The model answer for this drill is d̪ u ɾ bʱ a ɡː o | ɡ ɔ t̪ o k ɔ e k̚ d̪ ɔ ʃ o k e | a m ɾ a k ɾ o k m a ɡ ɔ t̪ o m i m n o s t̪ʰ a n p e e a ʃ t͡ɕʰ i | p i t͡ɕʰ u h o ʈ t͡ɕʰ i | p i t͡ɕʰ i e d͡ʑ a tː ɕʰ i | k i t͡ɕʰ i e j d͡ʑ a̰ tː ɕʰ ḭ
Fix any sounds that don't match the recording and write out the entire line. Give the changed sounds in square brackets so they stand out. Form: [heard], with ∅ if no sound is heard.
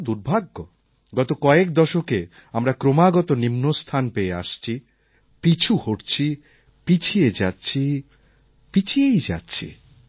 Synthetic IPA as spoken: d̪ u ɾ bʱ a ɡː o | ɡ ɔ t̪ o k ɔ e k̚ d̪ ɔ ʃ o k e | a m ɾ a k ɾ o [∅] m a ɡ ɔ t̪ o [n] i m n o s t̪ʰ a n p e e a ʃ t͡ɕʰ i | p i t͡ɕʰ u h o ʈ t͡ɕʰ i | p i t͡ɕʰ i e d͡ʑ a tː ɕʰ i | [p] i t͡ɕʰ i e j d͡ʑ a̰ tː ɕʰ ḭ

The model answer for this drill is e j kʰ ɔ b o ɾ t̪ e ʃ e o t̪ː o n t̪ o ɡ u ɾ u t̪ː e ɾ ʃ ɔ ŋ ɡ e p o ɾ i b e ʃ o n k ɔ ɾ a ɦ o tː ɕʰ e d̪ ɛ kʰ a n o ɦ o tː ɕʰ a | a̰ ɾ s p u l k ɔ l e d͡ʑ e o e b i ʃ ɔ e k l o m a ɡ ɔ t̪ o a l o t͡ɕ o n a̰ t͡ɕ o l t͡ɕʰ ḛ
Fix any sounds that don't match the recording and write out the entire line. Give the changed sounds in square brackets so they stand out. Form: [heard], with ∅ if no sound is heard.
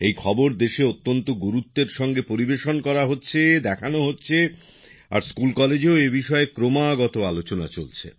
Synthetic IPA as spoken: e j kʰ ɔ b o ɾ [d̪] e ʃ e o t̪ː o n t̪ o ɡ u ɾ u t̪ː e ɾ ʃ ɔ ŋ ɡ e p o ɾ i b e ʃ o n k ɔ ɾ a ɦ o tː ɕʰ e d̪ ɛ kʰ a n o ɦ o tː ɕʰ [e] | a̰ ɾ s [k] u l k ɔ l e d͡ʑ e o e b i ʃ ɔ e k [ɾ] o m a ɡ ɔ t̪ o a l o t͡ɕ o n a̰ t͡ɕ o l t͡ɕʰ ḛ

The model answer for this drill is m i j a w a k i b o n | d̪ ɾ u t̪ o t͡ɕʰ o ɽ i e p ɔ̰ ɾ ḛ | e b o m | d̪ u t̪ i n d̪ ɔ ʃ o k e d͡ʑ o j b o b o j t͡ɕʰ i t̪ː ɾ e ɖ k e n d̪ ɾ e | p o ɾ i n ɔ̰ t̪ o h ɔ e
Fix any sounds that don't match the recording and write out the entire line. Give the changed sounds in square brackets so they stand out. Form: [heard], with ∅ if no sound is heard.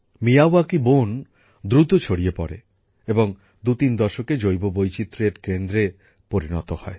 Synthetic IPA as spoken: m i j a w a k i b o n | d̪ ɾ u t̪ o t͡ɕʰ o ɽ i e p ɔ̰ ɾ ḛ | e b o [ŋ] | d̪ u t̪ i n d̪ ɔ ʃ o k e d͡ʑ o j b o b o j [t͡ɕ] i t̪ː ɾ e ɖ k e n d̪ ɾ e | p o ɾ i n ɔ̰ t̪ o h ɔ e

